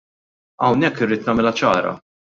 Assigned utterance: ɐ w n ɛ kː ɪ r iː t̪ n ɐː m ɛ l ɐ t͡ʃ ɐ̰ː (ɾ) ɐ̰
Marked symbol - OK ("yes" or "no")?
yes